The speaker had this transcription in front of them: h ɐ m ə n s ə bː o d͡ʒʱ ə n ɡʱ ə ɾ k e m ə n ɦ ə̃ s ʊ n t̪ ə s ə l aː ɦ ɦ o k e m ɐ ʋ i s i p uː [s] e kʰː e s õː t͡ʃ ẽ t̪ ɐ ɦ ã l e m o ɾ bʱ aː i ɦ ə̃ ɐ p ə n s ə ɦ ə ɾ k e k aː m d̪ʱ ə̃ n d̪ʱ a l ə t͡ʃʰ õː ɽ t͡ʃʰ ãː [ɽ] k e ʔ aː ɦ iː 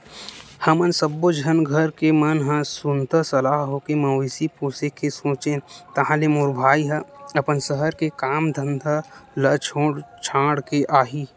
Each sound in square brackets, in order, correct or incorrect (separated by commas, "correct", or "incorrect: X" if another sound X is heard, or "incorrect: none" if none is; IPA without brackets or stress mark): correct, correct